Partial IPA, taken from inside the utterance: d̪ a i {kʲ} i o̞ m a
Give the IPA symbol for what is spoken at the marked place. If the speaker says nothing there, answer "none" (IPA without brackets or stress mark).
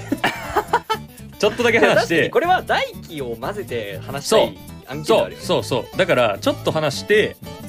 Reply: kʲ